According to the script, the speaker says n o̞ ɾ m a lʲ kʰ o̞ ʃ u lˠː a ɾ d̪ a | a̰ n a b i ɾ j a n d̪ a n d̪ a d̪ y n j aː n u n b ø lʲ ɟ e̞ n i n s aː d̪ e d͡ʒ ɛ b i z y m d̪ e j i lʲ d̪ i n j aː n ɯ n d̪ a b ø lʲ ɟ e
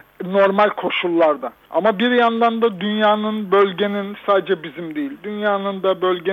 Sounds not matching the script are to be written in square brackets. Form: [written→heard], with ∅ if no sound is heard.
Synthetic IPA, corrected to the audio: n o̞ ɾ m a lʲ kʰ o̞ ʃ u lˠː a ɾ d̪ a | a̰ [n→m] a b i ɾ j a n d̪ a n d̪ a d̪ y n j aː n [u→ɯ] n b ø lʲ ɟ e̞ n i n s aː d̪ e d͡ʒ ɛ b i z [y→i] m d̪ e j i lʲ d̪ [i→y] n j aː n ɯ n d̪ a b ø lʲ ɟ e